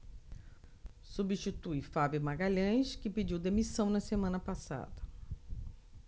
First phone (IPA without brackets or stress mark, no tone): s